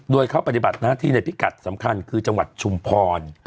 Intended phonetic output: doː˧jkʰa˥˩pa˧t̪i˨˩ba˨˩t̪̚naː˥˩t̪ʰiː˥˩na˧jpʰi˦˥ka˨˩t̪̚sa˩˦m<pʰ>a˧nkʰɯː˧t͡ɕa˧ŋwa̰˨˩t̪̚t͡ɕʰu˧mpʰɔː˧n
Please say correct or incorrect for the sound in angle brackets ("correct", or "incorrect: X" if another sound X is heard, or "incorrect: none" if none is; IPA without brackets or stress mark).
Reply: incorrect: kʰ